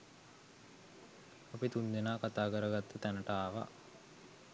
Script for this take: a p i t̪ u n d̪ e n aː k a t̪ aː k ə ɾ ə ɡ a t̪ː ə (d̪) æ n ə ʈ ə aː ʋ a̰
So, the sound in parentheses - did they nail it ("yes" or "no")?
no